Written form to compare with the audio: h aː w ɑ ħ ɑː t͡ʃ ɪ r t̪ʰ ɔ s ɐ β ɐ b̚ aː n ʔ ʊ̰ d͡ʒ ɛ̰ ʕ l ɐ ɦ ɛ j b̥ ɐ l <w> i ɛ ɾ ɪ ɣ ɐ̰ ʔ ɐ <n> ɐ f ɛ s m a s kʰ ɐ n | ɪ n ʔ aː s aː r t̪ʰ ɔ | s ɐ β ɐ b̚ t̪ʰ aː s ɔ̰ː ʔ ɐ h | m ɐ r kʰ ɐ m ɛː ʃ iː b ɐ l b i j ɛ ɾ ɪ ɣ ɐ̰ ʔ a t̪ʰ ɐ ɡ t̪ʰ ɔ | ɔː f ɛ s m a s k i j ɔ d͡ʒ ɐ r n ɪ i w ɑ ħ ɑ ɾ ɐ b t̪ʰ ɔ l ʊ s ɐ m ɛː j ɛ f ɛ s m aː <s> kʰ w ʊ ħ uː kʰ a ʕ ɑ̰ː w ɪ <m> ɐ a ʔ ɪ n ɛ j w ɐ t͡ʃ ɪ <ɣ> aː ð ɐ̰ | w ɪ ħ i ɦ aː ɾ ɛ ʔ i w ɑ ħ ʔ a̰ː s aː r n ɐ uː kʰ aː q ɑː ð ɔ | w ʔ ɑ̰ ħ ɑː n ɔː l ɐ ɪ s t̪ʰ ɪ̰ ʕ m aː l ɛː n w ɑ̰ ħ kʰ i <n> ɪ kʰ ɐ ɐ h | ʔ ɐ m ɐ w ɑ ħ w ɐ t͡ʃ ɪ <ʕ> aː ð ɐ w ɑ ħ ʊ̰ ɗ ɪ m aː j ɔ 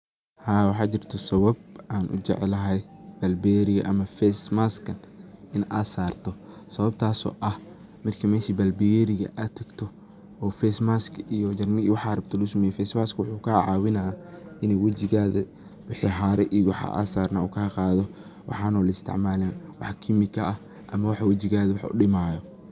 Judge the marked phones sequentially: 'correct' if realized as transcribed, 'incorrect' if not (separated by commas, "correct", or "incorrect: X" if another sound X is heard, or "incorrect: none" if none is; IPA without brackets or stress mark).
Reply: incorrect: b, incorrect: m, correct, incorrect: n, correct, incorrect: m, incorrect: ɣ